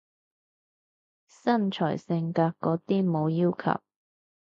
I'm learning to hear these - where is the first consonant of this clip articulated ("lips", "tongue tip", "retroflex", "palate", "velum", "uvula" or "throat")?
tongue tip